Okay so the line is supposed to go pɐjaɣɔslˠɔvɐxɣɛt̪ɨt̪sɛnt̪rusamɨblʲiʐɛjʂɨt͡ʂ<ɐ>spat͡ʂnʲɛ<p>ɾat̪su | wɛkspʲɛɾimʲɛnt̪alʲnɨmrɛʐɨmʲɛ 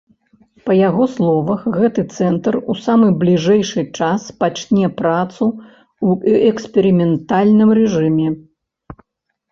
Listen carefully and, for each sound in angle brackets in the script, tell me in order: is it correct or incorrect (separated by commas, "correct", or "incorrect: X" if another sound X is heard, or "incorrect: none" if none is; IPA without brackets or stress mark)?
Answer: incorrect: a, correct